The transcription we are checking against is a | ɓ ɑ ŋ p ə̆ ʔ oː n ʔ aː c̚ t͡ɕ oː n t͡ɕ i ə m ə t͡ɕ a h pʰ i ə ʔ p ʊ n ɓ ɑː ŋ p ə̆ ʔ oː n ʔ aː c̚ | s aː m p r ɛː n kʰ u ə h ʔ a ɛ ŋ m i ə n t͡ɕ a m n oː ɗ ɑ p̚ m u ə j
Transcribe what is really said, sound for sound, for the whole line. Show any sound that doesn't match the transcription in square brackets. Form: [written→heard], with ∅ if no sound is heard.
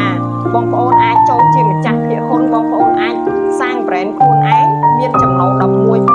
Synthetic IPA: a | ɓ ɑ ŋ p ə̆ ʔ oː n ʔ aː c̚ t͡ɕ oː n t͡ɕ i ə m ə t͡ɕ a h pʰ i ə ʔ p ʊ n ɓ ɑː ŋ p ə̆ ʔ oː n ʔ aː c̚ | s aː [m→ŋ] p r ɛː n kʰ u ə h ʔ a ɛ ŋ m i ə n t͡ɕ [a→ɑ] m n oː ɗ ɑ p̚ m u ə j